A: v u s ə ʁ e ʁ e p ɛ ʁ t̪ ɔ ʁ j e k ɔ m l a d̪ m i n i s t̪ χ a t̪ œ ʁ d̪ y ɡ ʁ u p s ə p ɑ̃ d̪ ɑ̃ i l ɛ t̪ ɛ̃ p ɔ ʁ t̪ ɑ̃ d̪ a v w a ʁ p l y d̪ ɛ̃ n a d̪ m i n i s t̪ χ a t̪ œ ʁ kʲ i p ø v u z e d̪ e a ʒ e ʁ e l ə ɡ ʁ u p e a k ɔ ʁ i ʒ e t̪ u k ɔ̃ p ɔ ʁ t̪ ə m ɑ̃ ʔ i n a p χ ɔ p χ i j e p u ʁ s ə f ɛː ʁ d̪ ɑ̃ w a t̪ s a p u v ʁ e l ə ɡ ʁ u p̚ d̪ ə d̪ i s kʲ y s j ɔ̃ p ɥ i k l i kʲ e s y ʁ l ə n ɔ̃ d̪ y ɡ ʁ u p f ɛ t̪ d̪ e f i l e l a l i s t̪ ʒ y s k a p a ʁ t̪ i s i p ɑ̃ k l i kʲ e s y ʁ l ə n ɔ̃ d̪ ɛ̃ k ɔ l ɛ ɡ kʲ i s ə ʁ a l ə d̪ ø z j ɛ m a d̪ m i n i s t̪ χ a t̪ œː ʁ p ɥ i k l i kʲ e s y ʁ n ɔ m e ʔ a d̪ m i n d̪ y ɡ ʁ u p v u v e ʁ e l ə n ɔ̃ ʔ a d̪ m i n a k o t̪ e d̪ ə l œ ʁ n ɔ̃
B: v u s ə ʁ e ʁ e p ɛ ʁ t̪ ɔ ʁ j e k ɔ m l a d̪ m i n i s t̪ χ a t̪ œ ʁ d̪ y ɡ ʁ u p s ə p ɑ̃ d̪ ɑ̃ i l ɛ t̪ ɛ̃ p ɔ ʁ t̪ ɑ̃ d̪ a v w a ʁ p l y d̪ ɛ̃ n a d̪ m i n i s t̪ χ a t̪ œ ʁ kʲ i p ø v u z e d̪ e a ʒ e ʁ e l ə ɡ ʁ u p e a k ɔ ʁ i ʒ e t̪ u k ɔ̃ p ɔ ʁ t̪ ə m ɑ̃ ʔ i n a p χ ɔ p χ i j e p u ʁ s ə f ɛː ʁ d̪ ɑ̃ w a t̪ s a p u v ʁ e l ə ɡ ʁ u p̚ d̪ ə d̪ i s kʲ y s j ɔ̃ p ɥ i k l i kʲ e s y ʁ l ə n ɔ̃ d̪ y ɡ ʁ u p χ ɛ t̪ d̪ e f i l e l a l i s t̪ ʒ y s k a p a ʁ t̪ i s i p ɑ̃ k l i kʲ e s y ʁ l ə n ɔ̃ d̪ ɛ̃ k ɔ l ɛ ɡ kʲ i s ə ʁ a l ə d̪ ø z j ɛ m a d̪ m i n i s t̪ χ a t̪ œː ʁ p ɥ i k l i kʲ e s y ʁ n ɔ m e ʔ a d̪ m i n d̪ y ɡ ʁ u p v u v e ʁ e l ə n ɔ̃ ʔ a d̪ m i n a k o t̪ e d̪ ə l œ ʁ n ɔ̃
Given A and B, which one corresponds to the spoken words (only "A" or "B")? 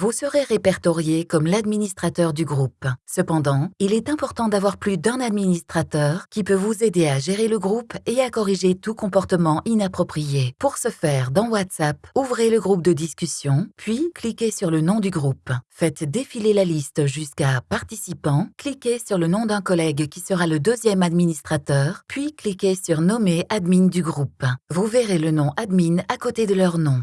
A